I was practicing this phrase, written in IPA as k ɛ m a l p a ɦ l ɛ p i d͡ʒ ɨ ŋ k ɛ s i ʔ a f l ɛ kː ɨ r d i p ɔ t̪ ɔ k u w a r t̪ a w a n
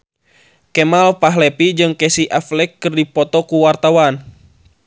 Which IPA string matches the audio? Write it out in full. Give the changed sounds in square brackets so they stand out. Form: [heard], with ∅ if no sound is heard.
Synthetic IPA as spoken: k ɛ m a l p a ɦ l ɛ p i d͡ʒ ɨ ŋ k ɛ s i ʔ a f l ɛ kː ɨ r d i p ɔ t̪ ɔ k u w a r t̪ a w a n

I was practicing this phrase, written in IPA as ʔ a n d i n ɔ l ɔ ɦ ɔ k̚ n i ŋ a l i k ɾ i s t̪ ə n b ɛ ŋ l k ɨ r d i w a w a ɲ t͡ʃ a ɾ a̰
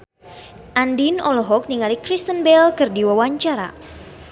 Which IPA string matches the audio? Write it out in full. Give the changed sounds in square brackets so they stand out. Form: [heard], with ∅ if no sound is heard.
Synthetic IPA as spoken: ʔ a n d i n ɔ l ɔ ɦ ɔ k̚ n i ŋ a l i k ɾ i s t̪ ə n b ɛ [∅] l k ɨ r d i w a w a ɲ t͡ʃ a ɾ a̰

